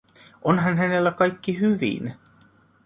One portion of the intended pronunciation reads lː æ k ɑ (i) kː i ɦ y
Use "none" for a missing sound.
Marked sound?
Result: j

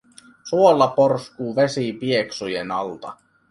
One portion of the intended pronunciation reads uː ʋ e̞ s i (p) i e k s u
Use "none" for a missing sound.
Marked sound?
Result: p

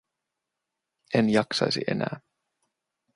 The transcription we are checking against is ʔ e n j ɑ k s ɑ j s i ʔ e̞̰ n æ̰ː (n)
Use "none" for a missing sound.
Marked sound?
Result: none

